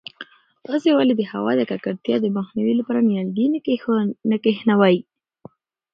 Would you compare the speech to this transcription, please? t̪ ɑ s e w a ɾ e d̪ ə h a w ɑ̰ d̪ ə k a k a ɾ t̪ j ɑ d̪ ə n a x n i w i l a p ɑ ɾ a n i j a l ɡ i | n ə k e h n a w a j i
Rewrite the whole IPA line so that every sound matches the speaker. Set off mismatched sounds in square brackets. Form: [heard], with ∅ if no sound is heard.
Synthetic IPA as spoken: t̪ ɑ s e w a [l] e d̪ ə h a w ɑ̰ d̪ ə k a k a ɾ t̪ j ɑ d̪ ə [m] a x n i w i l a p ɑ ɾ a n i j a l ɡ i | n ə k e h n a w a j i